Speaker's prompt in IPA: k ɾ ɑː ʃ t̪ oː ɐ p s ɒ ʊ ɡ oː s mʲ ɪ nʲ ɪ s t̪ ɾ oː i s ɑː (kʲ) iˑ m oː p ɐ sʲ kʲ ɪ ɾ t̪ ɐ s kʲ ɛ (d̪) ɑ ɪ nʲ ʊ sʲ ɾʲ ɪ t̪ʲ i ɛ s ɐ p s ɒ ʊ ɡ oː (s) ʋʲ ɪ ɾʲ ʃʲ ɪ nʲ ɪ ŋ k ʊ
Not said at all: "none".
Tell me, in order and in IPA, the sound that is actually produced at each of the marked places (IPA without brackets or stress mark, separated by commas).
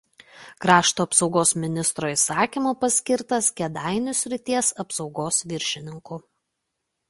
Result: kʲ, d̪, s